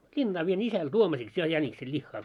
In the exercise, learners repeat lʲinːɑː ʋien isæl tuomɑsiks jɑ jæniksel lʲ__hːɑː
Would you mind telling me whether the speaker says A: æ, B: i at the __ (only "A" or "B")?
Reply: B